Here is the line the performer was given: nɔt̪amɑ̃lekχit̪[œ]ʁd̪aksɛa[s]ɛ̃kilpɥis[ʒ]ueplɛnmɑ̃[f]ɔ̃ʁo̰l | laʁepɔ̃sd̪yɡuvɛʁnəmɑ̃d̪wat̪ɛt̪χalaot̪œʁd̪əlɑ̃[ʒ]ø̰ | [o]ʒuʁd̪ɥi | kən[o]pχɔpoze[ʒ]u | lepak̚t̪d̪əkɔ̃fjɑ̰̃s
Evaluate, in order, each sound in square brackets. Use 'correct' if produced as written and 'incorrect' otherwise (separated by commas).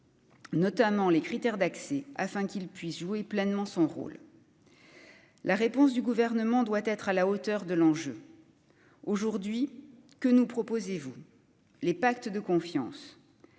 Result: incorrect, incorrect, correct, incorrect, correct, correct, incorrect, incorrect